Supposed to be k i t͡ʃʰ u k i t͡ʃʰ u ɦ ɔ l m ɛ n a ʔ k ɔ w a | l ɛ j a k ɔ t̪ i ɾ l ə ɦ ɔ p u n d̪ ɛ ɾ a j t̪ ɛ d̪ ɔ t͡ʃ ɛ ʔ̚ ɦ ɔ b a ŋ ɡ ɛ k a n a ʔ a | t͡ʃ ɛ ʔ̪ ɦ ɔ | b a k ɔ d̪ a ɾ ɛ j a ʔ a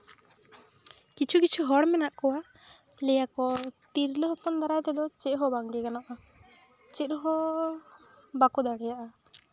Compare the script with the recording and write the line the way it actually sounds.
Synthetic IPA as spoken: k i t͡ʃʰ u k i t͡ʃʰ u ɦ ɔ ɽ m ɛ n a ʔ k ɔ w a | l ɛ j a k ɔ t̪ i ɾ l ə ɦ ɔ p ɔ n d̪ a ɾ a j t̪ ɛ d̪ ɔ t͡ʃ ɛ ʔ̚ ɦ ɔ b a ŋ ɡ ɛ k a n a ʔ a | t͡ʃ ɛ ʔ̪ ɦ ɔ | b a k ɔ d̪ a ɽ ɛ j a ʔ a